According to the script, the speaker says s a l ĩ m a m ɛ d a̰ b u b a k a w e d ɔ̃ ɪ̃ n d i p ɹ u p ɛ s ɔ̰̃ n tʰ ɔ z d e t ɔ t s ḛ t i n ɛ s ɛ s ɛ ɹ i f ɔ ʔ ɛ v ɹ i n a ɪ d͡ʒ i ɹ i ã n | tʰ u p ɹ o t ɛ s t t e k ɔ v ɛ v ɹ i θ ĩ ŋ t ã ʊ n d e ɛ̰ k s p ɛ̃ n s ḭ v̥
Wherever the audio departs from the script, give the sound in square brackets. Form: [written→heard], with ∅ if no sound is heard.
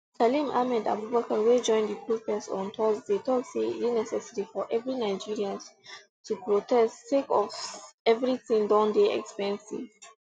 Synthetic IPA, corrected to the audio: s a l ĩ m a m ɛ d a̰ b u b a k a w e [d→d͡ʒ] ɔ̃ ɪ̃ n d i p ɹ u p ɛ s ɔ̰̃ n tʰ ɔ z d e t ɔ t s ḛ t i n ɛ s ɛ s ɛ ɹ i f ɔ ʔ ɛ v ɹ i n a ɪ d͡ʒ i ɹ i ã n | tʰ u p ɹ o t ɛ s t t e k ɔ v ɛ v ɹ i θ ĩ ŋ [t→d] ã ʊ n d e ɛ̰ k s p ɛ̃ n s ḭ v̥